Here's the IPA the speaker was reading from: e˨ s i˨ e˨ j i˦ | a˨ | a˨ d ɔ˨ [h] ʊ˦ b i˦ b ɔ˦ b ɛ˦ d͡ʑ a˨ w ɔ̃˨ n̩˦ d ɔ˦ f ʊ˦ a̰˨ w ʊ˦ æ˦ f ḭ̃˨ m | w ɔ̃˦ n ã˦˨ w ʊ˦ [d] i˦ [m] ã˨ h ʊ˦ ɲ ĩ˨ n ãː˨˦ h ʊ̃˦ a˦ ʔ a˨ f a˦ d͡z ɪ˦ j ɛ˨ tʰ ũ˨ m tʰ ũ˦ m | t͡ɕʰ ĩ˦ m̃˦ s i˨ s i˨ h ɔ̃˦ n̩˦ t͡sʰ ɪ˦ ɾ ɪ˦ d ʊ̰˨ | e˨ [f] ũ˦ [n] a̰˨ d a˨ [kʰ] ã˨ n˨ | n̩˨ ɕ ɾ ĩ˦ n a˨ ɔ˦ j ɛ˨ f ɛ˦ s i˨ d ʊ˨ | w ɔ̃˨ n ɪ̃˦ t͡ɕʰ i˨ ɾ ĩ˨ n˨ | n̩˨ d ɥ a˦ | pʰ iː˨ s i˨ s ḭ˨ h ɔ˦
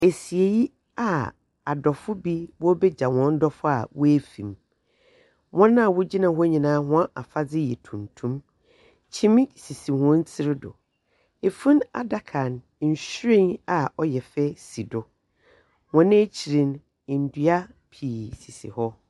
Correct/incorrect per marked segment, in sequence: incorrect, incorrect, incorrect, correct, correct, correct

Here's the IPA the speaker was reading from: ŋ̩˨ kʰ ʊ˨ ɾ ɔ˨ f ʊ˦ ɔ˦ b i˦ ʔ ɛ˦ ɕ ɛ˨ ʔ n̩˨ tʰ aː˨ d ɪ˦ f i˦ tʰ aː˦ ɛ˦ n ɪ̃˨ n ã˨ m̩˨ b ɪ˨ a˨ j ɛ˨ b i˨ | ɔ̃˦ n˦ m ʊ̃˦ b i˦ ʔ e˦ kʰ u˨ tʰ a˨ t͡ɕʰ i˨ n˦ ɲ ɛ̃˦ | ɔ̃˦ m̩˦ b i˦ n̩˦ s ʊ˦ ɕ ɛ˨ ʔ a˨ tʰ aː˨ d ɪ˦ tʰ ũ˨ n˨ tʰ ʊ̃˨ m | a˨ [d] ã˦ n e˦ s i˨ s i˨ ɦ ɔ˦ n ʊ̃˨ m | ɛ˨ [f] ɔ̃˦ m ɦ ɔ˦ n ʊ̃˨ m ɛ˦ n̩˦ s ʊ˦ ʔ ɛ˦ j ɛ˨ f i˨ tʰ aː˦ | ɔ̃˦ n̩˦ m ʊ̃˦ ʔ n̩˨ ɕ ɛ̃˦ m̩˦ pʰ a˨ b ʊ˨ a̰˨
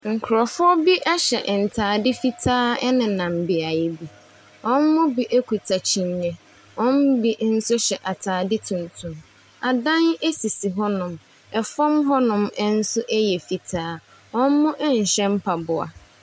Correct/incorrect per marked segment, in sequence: correct, correct

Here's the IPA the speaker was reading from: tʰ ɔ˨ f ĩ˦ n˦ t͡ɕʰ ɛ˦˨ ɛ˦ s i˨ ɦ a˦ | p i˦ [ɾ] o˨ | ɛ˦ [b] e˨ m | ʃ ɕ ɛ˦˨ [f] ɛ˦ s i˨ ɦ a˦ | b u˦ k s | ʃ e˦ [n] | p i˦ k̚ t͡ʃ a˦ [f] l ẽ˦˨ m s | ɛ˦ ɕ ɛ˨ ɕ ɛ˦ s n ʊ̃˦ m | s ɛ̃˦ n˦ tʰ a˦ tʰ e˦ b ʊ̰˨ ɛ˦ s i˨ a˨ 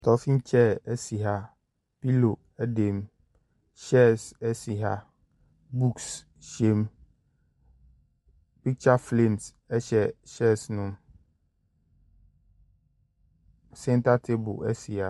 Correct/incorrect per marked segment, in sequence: incorrect, incorrect, incorrect, incorrect, correct

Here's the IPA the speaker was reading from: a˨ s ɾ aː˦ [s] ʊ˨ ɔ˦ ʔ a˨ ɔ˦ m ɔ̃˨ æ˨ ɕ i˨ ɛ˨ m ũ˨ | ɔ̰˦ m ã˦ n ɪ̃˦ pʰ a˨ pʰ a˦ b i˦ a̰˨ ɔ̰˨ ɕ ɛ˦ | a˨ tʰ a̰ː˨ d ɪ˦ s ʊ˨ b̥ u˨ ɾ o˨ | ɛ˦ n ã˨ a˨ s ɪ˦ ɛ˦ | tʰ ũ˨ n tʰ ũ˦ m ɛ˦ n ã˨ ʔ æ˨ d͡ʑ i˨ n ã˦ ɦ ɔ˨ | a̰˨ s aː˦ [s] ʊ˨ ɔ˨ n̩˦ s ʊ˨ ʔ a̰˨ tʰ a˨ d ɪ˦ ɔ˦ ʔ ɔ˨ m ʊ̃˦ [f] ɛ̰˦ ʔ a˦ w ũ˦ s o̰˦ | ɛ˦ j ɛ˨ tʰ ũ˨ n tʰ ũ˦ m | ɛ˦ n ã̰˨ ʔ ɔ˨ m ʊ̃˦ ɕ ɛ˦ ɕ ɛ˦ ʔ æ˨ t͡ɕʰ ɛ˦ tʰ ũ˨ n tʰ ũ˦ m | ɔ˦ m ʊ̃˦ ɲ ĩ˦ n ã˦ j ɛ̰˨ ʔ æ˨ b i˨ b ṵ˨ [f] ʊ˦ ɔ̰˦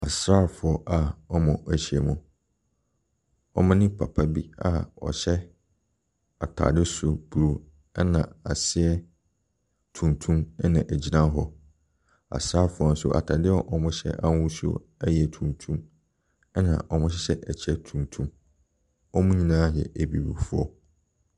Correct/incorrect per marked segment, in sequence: incorrect, incorrect, incorrect, correct

